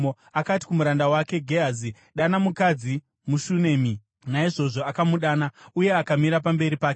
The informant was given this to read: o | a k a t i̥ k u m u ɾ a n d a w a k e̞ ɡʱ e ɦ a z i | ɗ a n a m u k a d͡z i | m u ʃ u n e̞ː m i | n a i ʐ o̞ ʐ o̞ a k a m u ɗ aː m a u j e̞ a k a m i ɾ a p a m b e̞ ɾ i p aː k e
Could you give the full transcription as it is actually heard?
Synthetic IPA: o | a k a t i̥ k u m u ɾ a n d a w a k e̞ ɡʱ e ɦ a z i | ɗ a n a m u k a d͡z i | m u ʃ u n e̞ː m i | n a i ʐ o̞ ʐ o̞ a k a m u ɗ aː n a u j e̞ a k a m i ɾ a p a m b e̞ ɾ i p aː k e